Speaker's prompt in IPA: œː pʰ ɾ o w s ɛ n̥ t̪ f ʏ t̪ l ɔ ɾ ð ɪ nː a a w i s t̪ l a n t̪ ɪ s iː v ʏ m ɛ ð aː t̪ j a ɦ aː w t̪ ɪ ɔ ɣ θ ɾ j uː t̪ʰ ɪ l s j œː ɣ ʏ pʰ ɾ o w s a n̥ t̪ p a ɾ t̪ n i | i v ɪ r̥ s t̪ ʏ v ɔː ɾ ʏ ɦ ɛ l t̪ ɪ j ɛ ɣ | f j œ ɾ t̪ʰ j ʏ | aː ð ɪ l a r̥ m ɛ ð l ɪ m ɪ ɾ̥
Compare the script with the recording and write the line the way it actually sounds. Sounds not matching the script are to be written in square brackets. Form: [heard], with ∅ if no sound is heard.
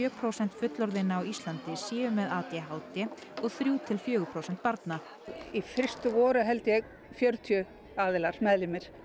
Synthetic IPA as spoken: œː pʰ ɾ o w s ɛ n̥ t̪ f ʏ t̪ l ɔ ɾ ð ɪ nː a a w i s t̪ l a n t̪ ɪ s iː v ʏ m ɛ ð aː t̪ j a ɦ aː w t̪ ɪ ɔ ɣ θ ɾ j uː t̪ʰ ɪ l [f] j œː ɣ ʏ pʰ ɾ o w s [ɛ] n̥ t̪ p a ɾ t̪ n [a] | i [f] ɪ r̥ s t̪ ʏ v ɔː ɾ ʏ ɦ ɛ l t̪ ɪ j ɛ ɣ | f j œ ɾ t̪ʰ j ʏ | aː ð ɪ l a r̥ m ɛ ð l ɪ m ɪ ɾ̥